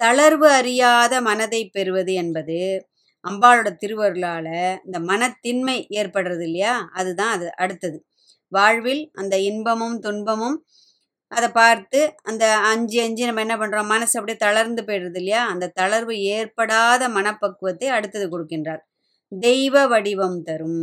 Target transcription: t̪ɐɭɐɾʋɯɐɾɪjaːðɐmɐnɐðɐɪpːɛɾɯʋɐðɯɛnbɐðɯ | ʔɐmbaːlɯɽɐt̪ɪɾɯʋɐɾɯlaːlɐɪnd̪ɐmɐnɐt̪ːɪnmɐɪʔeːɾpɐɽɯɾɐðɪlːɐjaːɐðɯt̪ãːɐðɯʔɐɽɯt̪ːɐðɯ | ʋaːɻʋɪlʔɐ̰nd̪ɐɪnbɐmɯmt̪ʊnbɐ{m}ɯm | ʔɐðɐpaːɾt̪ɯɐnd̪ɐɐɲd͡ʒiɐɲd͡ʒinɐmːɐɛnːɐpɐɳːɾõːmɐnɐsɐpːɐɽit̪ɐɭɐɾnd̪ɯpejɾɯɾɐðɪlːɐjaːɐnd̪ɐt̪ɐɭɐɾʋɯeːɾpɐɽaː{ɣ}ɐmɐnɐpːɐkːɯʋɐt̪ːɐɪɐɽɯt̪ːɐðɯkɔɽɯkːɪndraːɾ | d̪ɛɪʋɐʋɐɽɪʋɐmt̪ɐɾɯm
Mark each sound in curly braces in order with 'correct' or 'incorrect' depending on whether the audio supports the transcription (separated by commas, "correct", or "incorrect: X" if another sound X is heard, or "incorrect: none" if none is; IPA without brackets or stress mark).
correct, incorrect: ð